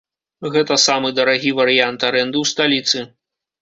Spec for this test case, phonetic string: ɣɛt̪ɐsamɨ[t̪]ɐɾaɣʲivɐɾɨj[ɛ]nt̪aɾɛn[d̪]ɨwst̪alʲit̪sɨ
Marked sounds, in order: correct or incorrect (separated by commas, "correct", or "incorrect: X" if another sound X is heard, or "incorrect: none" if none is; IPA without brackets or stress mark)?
incorrect: d̪, incorrect: a, correct